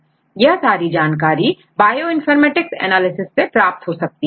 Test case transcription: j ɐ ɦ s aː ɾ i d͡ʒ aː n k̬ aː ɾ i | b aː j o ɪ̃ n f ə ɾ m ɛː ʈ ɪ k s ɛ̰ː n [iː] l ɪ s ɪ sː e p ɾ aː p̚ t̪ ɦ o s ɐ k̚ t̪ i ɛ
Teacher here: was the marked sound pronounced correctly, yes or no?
no